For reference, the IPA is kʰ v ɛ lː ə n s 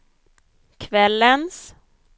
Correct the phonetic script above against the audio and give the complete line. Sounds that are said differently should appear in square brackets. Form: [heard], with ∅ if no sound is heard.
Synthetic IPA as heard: kʰ v ɛ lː ə n s